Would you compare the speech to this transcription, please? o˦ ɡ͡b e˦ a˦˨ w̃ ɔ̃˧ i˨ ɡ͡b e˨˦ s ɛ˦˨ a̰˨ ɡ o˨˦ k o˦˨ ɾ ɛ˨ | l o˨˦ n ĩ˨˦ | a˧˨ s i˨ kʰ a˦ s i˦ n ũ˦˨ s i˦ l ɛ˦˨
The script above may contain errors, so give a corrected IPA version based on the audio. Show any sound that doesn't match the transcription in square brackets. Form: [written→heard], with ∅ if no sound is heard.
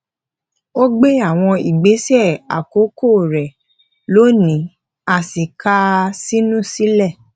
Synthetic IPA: o˦ ɡ͡b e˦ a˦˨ w̃ ɔ̃˧ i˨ ɡ͡b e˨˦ s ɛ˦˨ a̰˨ [ɡ→k] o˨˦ k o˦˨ ɾ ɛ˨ | l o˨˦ n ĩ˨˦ | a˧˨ s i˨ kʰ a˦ s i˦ n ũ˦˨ s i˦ l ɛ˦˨